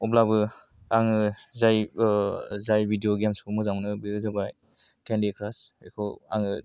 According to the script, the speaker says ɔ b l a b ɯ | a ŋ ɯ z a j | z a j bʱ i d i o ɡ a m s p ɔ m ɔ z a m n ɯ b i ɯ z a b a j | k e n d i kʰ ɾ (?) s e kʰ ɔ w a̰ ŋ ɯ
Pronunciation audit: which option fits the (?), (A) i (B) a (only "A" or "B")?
B